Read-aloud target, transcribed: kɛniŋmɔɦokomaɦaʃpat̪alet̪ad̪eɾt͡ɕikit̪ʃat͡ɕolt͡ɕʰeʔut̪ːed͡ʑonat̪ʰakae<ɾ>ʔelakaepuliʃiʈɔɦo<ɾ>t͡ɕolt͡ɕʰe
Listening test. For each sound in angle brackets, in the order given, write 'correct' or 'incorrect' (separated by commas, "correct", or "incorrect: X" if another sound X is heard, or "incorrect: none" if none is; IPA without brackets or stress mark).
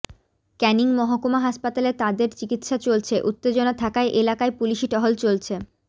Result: incorrect: none, incorrect: l